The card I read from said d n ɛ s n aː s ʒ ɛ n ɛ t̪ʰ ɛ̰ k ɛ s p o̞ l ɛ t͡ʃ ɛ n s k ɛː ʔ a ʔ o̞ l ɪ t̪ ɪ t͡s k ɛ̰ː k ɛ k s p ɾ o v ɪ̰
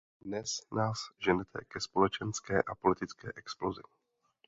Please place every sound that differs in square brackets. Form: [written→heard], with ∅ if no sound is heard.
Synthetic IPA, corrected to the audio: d n ɛ s n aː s ʒ ɛ n ɛ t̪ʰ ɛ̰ k ɛ s p o̞ l ɛ t͡ʃ ɛ n s k ɛː ʔ a [ʔ→p] o̞ l ɪ t̪ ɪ t͡s k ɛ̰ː [k→ʔ] ɛ k s p [ɾ→l] o [v→z] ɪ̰